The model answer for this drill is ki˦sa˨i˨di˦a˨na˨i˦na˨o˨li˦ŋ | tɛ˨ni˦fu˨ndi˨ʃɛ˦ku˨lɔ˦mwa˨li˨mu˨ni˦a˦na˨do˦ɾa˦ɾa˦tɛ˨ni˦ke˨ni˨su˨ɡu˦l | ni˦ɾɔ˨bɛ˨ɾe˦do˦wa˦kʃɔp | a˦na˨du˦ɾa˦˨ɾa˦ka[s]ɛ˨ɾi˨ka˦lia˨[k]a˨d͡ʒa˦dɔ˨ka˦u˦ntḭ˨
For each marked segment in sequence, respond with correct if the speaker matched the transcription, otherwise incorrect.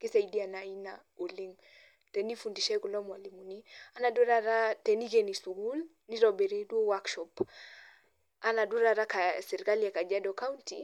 correct, correct

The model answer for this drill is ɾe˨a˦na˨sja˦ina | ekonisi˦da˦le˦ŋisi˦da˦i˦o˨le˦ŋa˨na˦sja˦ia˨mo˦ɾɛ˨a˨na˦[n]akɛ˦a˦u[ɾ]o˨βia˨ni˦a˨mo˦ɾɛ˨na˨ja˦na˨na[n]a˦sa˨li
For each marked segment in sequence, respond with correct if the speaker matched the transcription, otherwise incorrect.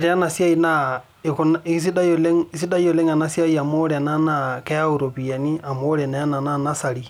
correct, correct, correct

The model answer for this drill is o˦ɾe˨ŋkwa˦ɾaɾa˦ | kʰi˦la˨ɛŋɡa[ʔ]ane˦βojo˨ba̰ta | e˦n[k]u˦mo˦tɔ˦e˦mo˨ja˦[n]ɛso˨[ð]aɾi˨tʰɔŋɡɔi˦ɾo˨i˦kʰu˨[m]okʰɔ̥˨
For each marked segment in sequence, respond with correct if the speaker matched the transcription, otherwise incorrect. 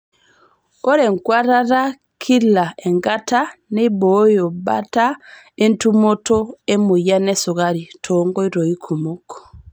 incorrect, incorrect, correct, incorrect, correct

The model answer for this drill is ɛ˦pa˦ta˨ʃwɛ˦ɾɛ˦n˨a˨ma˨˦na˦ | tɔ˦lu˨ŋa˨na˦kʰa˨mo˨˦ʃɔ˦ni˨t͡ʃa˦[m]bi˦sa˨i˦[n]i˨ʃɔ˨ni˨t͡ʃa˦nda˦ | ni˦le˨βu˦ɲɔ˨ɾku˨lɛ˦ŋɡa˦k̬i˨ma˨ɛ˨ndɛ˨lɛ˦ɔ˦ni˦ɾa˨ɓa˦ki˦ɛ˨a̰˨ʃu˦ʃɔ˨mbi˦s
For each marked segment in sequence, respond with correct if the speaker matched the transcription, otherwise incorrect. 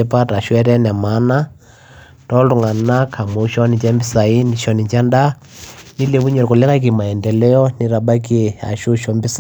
correct, correct

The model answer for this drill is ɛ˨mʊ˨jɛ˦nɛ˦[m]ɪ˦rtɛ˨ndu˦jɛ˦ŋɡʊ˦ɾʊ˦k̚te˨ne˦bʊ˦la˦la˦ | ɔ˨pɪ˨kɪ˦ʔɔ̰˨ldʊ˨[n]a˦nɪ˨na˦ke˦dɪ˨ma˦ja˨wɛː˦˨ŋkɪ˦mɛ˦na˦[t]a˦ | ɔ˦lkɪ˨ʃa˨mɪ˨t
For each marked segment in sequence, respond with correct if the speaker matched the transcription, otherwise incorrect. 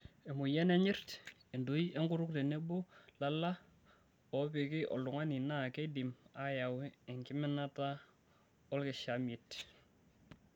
incorrect, incorrect, correct

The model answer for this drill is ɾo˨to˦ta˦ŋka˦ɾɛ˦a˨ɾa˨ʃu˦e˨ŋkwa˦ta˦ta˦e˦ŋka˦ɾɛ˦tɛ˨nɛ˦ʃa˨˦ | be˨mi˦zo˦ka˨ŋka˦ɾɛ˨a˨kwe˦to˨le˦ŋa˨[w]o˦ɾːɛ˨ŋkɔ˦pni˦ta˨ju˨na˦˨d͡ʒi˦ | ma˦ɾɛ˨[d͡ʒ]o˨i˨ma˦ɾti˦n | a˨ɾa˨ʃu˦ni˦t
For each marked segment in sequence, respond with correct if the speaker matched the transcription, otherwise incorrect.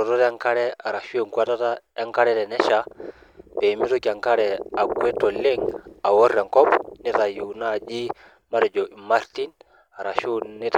correct, correct

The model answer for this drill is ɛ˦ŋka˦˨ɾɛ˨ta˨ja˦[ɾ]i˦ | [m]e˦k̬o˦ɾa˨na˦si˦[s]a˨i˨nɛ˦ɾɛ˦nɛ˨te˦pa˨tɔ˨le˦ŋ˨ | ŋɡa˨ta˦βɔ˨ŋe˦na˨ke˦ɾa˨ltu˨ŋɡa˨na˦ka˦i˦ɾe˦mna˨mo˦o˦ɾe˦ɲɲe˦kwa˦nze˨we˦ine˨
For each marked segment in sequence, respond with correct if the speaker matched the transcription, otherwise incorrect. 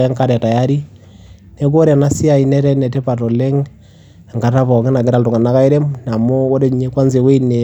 correct, incorrect, incorrect

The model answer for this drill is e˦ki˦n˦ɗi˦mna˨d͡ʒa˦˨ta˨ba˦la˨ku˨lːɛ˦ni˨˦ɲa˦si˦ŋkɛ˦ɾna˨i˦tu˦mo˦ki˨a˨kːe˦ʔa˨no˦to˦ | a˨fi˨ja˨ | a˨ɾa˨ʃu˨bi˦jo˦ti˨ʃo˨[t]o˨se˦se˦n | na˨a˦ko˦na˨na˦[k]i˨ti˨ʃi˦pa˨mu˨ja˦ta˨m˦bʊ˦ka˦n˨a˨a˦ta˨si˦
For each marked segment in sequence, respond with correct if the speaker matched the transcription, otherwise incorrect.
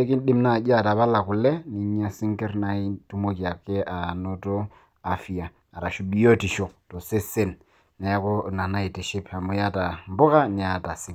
correct, incorrect

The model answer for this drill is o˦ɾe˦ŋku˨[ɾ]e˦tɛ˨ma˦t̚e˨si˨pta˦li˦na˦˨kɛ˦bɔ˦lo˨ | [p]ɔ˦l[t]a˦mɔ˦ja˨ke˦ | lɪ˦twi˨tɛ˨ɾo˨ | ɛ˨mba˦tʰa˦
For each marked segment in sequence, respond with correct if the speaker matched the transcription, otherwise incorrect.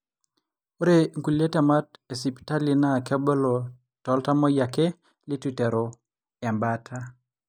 incorrect, incorrect, correct

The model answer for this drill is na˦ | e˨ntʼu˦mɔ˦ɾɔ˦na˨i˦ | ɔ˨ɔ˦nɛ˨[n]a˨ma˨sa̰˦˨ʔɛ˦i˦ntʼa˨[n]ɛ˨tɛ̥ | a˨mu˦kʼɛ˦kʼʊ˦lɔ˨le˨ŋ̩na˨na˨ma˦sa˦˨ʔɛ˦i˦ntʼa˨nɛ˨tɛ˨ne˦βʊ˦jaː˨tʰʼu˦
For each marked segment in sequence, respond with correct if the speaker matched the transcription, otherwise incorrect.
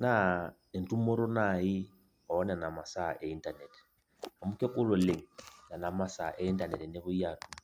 correct, correct

